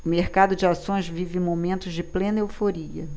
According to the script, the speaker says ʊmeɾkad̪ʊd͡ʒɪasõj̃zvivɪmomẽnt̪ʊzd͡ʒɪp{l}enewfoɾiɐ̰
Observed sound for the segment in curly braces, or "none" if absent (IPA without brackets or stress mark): l